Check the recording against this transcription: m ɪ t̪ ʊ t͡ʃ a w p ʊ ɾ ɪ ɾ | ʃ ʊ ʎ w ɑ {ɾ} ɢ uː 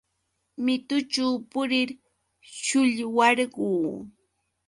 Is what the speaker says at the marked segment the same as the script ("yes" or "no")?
yes